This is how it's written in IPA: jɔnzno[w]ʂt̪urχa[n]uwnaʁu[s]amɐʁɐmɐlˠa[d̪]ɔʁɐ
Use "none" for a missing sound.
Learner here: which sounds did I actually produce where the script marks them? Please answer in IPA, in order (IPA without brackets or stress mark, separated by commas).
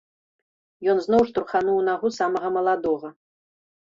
w, n, s, d̪